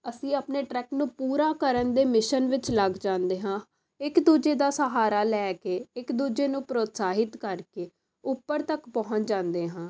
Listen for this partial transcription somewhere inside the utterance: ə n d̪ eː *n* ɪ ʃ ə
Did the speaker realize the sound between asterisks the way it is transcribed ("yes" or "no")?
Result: no